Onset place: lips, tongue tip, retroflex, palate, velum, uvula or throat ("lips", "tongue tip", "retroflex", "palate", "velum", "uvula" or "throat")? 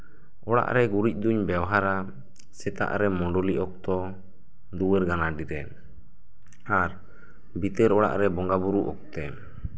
retroflex